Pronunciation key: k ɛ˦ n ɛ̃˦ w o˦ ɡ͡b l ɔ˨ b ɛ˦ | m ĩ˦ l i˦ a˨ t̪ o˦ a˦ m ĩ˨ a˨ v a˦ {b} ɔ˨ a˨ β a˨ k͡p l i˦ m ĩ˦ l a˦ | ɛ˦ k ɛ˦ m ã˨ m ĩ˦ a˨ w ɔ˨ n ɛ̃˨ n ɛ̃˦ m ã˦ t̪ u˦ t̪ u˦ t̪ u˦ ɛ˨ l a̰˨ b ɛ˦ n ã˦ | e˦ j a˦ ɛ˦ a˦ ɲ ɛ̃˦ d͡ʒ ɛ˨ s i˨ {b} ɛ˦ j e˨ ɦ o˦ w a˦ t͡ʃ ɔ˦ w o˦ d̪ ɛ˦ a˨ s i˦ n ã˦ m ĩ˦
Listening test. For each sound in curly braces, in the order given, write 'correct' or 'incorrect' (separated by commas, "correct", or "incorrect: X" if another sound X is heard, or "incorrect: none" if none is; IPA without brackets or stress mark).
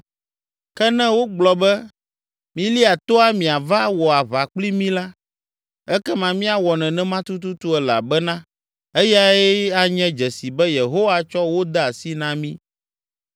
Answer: incorrect: w, correct